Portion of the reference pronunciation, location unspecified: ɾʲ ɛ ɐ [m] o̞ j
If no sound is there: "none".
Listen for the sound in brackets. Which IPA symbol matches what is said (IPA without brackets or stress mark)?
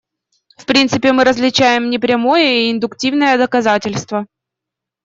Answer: m